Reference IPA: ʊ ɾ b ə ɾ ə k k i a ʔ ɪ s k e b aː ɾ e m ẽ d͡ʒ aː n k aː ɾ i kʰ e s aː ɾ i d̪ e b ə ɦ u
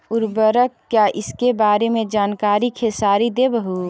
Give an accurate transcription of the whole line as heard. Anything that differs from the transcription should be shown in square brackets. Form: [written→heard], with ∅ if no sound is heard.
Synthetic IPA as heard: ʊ ɾ b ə ɾ ə k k [i→j] a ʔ ɪ s k e b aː ɾ e m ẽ d͡ʒ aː n k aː ɾ i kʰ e s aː ɾ i d̪ e b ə ɦ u